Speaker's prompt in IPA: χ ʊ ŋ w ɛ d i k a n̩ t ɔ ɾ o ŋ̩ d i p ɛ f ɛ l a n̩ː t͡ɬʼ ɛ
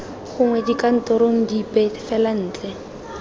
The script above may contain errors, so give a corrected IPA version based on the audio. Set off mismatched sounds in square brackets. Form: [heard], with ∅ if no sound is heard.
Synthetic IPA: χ ʊ ŋ w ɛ d i k a n̩ t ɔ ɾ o ŋ̩ d i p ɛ f ɛ l a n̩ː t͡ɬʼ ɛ